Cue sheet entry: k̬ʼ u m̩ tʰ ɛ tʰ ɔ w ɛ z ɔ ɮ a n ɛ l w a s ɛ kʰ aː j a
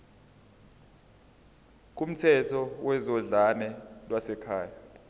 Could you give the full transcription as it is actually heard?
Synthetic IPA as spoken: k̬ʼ u m̩ tʰ ɛ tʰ ɔ w ɛ z ɔ ɮ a n ɛ l w a s ɛ kʰ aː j a